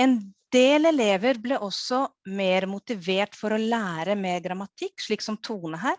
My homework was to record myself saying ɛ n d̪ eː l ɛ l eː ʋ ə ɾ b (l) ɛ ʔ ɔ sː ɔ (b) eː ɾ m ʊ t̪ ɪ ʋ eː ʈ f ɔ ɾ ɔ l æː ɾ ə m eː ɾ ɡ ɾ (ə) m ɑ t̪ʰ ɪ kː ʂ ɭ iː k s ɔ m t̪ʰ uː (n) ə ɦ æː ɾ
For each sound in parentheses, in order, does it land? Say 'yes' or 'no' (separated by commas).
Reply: yes, no, no, yes